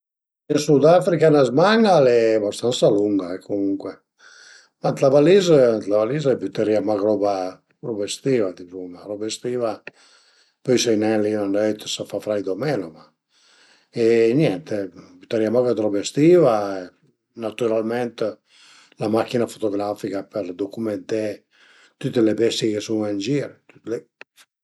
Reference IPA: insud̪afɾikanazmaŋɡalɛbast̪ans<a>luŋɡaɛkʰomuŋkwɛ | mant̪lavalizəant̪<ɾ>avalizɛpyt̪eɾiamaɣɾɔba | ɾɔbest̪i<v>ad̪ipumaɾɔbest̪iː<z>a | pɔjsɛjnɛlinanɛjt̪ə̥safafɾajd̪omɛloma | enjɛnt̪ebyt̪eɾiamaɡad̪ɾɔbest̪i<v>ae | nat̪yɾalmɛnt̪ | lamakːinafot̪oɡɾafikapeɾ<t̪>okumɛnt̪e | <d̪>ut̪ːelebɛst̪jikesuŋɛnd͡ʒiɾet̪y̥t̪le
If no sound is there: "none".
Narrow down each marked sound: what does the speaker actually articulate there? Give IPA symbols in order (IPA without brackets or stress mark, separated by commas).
a, l, v, v, v, d̪, t̪